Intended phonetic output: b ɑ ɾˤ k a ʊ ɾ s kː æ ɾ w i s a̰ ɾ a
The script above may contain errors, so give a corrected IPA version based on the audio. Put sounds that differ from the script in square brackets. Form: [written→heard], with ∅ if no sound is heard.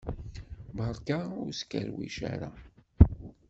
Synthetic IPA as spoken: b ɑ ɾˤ k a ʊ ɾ s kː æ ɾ w i [s→ʃ] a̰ ɾ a